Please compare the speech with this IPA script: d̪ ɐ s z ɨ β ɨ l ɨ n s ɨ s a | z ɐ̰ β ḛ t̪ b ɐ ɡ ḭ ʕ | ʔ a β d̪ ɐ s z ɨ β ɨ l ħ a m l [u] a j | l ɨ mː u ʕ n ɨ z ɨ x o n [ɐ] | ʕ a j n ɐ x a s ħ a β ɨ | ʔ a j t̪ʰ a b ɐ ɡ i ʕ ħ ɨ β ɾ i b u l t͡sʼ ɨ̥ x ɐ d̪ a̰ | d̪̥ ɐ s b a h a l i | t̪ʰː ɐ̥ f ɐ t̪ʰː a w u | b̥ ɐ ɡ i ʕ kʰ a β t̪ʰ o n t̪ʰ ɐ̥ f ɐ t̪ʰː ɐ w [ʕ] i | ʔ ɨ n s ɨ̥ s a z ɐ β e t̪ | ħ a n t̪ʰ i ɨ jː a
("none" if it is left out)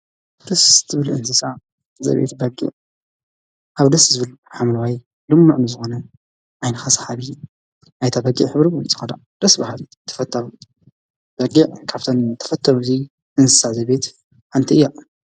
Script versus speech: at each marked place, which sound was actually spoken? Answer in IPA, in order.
w, ɐ, z

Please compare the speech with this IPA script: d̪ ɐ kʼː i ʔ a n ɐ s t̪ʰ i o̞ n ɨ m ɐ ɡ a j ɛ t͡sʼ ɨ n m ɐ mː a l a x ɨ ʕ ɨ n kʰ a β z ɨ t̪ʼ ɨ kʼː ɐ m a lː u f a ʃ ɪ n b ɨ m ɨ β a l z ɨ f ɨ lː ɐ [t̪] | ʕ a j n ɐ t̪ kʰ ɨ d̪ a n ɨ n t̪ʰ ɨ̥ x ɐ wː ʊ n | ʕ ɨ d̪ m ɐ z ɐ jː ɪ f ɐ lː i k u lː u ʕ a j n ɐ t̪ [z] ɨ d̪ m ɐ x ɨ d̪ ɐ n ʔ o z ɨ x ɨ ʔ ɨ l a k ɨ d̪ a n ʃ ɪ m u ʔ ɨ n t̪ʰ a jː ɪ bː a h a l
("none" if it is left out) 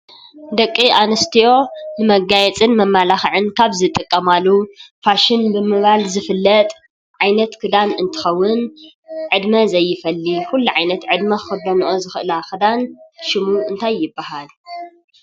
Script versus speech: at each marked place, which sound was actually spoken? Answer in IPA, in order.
t̪ʼ, ʕ

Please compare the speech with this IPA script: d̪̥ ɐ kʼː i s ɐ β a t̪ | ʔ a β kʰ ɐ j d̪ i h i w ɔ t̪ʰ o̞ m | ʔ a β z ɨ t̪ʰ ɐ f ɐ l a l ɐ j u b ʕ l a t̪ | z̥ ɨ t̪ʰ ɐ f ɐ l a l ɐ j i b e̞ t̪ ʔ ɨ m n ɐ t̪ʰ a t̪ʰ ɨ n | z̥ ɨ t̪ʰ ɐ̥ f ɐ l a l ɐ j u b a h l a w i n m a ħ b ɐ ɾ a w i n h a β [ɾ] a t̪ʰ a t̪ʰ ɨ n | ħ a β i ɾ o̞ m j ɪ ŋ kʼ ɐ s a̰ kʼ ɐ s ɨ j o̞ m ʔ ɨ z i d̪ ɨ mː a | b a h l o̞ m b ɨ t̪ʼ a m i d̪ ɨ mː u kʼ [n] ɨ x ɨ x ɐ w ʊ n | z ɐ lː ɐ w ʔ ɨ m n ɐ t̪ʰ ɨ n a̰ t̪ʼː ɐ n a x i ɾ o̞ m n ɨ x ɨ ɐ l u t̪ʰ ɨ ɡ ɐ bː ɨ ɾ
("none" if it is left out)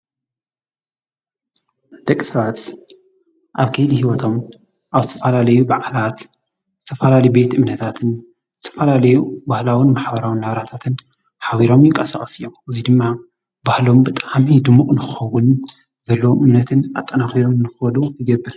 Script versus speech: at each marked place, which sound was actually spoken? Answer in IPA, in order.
ɾ, n

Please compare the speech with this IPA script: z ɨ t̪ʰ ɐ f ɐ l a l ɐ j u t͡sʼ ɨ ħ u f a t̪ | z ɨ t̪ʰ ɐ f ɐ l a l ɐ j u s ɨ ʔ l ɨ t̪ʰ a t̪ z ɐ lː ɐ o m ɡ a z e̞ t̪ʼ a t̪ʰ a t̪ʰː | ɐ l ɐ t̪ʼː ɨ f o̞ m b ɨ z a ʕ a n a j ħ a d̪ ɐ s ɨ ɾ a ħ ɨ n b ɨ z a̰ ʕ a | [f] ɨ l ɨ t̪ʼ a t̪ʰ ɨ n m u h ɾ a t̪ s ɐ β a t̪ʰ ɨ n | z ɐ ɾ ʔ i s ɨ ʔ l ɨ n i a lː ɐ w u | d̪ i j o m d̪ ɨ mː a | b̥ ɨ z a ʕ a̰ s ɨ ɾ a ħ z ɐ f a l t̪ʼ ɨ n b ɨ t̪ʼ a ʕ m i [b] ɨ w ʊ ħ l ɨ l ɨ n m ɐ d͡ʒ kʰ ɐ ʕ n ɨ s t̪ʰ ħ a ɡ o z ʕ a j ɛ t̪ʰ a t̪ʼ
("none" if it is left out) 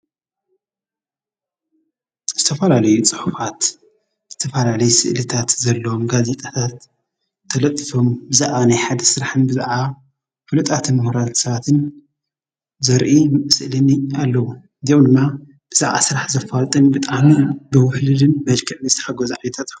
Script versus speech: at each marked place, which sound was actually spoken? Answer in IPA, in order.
f, b

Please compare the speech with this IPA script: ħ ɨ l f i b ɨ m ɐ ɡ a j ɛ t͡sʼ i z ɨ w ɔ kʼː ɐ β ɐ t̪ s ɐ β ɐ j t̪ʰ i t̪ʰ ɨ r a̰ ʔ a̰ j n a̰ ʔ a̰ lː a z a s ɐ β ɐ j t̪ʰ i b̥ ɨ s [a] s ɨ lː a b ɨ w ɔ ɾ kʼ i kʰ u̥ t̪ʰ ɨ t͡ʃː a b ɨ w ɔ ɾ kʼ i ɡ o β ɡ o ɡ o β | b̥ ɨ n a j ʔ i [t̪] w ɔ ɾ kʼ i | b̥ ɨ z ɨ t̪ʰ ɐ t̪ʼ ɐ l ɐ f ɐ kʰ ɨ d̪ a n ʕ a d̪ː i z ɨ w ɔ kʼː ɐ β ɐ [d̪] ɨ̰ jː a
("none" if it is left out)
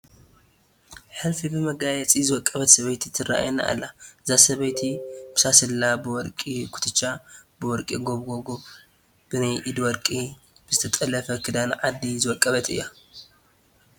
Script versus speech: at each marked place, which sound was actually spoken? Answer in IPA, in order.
a, d̪, t̪

